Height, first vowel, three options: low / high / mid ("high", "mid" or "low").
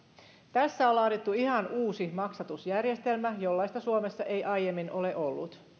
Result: low